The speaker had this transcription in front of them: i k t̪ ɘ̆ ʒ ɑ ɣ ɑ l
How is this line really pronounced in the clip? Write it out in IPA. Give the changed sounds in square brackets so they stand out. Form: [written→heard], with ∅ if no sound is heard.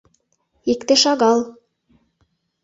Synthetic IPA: i k t̪ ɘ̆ [ʒ→ʃ] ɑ ɣ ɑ l